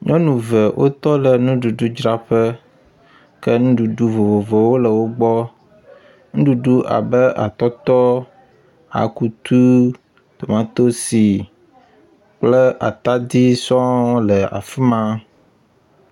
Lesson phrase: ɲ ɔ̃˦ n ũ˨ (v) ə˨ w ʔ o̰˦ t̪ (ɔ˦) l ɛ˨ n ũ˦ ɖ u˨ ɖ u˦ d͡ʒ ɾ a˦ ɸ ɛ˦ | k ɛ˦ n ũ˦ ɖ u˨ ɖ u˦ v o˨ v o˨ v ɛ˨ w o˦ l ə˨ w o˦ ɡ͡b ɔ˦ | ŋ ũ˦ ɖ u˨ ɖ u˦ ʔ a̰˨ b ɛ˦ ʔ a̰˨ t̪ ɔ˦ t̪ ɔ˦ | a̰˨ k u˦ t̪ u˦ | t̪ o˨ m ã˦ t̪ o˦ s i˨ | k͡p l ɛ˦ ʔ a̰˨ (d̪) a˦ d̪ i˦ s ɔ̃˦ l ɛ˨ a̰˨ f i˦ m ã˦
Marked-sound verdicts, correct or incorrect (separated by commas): correct, correct, incorrect